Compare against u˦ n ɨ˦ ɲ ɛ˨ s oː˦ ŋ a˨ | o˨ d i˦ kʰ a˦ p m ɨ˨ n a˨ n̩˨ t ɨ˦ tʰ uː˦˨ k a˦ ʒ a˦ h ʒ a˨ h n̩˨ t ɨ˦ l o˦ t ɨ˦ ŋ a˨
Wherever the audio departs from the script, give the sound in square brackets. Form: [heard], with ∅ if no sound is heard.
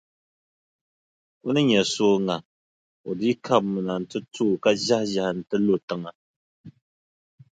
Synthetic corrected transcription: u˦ n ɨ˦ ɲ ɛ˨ s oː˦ ŋ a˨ | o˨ d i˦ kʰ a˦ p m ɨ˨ n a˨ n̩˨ t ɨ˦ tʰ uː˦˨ k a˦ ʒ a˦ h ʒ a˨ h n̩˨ t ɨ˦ l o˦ t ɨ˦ ŋ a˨